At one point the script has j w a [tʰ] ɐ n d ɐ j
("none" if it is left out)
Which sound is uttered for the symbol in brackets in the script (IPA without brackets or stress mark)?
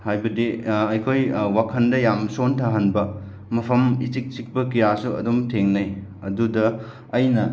kʰ